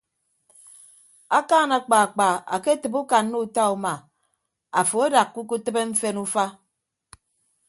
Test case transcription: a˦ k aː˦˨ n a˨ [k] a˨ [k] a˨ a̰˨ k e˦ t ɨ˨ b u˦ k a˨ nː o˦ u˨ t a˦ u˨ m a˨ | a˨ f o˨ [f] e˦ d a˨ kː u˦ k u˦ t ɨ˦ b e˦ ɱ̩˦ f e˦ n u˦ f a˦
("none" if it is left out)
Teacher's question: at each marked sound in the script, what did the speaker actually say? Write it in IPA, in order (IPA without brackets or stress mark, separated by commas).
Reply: k͡p, k͡p, none